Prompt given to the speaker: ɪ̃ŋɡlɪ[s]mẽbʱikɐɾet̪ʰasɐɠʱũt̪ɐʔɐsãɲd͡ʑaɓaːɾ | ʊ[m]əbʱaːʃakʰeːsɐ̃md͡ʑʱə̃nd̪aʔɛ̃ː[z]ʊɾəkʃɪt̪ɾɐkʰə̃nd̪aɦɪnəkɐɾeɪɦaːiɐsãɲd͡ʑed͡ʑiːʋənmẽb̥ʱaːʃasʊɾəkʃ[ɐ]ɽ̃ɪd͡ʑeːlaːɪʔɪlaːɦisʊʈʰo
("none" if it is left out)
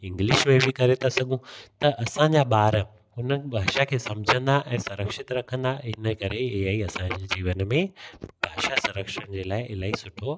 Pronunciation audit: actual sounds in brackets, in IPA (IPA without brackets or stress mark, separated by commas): ʃ, n, s, ə